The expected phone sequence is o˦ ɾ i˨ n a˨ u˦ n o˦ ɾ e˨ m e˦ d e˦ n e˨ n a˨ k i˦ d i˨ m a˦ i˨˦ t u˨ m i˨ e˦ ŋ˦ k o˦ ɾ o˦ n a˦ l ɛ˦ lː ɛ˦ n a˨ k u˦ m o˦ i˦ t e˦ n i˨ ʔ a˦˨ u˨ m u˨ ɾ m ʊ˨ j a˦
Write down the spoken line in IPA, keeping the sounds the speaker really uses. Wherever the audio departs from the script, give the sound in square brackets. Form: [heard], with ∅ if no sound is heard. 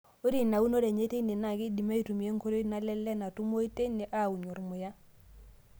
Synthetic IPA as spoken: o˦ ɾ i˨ n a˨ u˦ n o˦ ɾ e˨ [ɲ] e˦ [t] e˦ n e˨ n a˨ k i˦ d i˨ m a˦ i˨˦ t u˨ m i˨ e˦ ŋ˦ k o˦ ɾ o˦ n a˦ l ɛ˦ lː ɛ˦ n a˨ [t] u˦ m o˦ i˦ t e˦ n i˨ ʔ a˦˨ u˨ [ɲ] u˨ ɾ m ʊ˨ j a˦